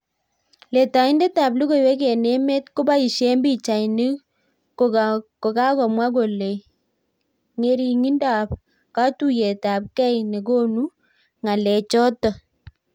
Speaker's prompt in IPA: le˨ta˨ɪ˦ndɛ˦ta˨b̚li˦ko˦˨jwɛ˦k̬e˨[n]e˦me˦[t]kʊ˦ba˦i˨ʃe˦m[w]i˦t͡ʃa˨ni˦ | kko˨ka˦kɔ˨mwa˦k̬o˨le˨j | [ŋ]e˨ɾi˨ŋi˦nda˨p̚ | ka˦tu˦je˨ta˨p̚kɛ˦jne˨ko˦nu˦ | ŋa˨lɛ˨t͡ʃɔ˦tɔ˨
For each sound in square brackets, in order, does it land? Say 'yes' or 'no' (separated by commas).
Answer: yes, yes, no, yes